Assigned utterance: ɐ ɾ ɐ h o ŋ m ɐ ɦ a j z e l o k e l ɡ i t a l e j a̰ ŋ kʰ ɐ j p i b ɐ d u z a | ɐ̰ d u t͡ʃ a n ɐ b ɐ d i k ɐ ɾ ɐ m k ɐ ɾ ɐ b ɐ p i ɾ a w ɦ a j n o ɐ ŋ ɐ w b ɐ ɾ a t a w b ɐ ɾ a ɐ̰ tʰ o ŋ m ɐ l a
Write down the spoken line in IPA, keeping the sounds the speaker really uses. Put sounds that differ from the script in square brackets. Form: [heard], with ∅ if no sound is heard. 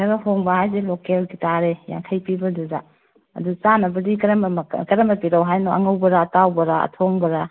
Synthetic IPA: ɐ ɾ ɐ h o ŋ [b] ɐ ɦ a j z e l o k e l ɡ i t a [ɾ] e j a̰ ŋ kʰ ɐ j p i b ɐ d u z a | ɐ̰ d u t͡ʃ a n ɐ b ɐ d i k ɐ ɾ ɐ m k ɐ ɾ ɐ [m] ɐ p i ɾ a w ɦ a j n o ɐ ŋ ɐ w b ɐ ɾ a t a w b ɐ ɾ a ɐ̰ tʰ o ŋ [b] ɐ [ɾ] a

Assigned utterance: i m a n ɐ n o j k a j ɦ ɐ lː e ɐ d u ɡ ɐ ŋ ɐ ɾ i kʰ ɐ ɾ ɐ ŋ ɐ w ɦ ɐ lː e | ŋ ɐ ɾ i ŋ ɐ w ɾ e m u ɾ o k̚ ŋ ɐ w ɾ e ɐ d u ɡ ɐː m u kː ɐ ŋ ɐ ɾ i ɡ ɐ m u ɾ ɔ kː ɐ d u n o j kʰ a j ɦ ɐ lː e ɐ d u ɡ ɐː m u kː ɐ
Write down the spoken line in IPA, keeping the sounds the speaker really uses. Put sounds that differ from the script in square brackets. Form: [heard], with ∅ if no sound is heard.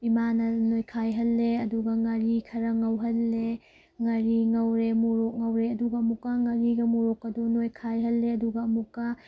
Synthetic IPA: i m a n ɐ n o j [kʰ] a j ɦ ɐ lː e ɐ d u ɡ ɐ ŋ ɐ ɾ i kʰ ɐ ɾ ɐ ŋ ɐ w ɦ ɐ lː e | ŋ ɐ ɾ i ŋ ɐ w ɾ e m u ɾ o k̚ ŋ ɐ w ɾ e ɐ d u ɡ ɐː m u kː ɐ ŋ ɐ ɾ i ɡ ɐ m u ɾ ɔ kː ɐ d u n o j kʰ a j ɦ ɐ lː e ɐ d u ɡ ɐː m u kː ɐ

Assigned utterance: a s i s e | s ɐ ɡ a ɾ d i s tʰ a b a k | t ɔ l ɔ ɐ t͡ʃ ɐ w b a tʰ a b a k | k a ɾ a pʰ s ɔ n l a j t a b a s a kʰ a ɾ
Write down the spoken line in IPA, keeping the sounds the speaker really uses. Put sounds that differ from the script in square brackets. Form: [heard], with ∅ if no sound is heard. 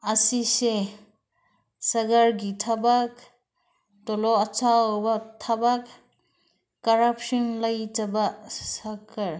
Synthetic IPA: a s i s e | s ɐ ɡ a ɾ [ɡ] i [∅] tʰ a b a k | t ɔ l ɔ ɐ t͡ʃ [a] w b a tʰ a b a k | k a ɾ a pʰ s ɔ n l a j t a b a s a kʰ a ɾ

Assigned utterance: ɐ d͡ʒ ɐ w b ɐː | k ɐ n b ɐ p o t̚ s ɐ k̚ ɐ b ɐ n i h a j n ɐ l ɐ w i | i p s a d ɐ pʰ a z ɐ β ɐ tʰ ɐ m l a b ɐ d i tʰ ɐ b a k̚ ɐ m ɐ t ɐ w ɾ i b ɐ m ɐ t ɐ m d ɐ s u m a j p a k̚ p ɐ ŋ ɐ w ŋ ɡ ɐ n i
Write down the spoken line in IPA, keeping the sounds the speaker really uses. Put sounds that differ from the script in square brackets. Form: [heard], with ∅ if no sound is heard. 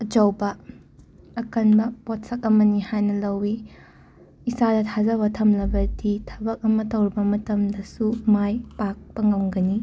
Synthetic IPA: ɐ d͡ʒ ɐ w b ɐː | k ɐ n b ɐ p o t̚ s ɐ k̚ ɐ [m] ɐ n i h a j n ɐ l ɐ w i | i [∅] s a d ɐ [tʰ] a z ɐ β ɐ tʰ ɐ m l [ɐ] b ɐ d i tʰ ɐ b [ɐ] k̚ ɐ m ɐ t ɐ w ɾ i b ɐ m ɐ t ɐ m d ɐ s u m a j p a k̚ p ɐ ŋ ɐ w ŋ ɡ ɐ n i

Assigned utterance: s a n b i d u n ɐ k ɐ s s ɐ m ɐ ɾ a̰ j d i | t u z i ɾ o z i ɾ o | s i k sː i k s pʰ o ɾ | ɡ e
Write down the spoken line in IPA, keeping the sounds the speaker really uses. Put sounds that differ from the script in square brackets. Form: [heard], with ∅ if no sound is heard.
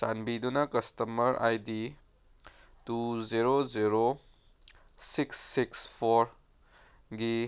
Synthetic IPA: s a n b i d u n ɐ k ɐ s [t] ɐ m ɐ ɾ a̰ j d i | t u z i ɾ o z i ɾ o | s i k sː i k s pʰ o ɾ | ɡ [i]

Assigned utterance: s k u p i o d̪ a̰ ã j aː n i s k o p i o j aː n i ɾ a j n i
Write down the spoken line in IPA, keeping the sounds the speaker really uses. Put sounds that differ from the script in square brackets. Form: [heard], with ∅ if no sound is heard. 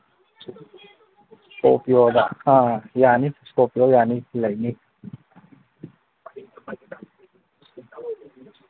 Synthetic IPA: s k [o] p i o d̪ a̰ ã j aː n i s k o p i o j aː n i [l] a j n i

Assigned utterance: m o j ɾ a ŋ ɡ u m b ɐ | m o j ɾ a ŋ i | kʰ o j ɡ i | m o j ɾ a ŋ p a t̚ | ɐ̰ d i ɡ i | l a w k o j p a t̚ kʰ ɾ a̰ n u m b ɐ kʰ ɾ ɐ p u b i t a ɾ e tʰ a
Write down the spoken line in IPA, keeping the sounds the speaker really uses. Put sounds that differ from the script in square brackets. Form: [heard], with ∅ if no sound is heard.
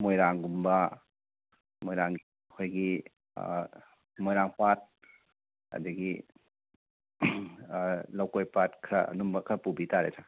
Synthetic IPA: m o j ɾ a ŋ ɡ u m b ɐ | m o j ɾ a ŋ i | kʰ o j ɡ i | m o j ɾ a ŋ p a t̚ | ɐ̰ d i ɡ i | l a w k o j p a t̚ kʰ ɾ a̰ n u m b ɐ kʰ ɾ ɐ p u b i t a ɾ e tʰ a

